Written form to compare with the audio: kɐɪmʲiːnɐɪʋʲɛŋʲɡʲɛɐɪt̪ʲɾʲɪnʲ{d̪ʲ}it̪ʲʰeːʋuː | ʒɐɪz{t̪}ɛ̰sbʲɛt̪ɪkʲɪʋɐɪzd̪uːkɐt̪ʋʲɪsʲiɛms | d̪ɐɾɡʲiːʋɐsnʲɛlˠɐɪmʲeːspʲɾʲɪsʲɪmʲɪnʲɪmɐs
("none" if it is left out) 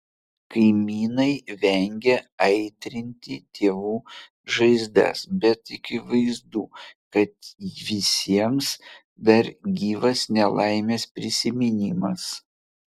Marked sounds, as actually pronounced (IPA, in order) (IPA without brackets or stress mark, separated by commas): t̪ʲ, d̪